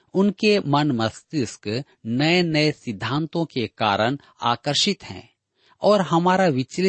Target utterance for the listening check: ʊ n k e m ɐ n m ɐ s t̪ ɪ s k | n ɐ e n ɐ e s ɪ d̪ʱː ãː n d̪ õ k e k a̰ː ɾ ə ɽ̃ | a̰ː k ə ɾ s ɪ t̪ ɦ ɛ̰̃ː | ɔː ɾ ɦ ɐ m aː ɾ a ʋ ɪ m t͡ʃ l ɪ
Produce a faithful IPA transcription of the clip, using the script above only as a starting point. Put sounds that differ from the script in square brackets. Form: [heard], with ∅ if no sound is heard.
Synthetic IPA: ʊ n k e m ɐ n m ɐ s t̪ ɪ s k | n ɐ e n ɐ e s ɪ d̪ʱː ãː n [t̪] õ k e k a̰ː ɾ ə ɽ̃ | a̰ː k ə ɾ [ʃ] ɪ t̪ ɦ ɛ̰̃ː | ɔː ɾ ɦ ɐ m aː ɾ a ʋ ɪ [∅] t͡ʃ l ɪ